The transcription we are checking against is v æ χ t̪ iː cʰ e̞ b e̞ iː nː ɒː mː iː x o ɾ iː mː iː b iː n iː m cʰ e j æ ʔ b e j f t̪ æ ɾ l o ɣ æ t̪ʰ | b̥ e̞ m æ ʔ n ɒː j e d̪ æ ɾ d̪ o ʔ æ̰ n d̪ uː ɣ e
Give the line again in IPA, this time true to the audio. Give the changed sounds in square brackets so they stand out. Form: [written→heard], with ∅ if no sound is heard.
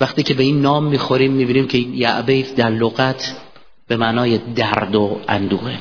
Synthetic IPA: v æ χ t̪ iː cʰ e̞ b e̞ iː nː ɒː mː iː x o ɾ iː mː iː b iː n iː m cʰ e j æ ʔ b e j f [t̪→d̪] æ ɾ l o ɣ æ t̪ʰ | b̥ e̞ m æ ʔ n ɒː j e d̪ æ ɾ d̪ o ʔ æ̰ n d̪ uː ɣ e